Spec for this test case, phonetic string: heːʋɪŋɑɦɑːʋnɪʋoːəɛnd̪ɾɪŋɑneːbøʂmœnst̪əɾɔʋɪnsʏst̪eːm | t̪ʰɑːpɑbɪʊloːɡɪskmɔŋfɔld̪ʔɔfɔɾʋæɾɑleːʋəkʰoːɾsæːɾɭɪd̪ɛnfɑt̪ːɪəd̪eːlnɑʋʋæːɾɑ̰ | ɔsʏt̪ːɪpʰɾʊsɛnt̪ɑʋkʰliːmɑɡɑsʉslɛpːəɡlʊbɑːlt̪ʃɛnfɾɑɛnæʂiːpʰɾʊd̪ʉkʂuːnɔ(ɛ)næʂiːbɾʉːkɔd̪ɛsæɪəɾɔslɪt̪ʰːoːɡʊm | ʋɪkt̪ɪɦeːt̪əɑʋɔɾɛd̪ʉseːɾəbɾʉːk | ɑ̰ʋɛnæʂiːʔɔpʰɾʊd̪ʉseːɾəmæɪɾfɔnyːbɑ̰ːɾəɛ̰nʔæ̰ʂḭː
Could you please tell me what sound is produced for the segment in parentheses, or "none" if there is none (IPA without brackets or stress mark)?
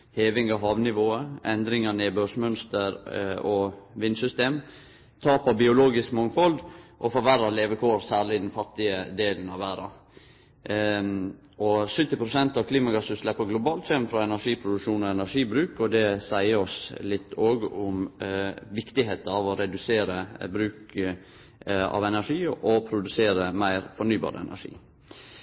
ɛ